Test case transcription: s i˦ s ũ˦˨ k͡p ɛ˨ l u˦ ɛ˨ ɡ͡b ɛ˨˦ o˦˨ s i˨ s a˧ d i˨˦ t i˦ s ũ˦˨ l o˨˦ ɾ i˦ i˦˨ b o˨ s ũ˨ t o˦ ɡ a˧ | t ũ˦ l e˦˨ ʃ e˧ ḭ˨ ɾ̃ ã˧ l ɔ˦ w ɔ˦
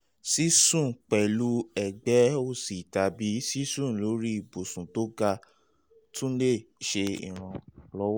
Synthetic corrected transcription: s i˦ s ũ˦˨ k͡p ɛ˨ l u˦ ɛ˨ ɡ͡b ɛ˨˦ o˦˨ s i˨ t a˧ b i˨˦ s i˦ s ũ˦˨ l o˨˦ ɾ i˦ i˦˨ b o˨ s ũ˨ t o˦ ɡ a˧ | t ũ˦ l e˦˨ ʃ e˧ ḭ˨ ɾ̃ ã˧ l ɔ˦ w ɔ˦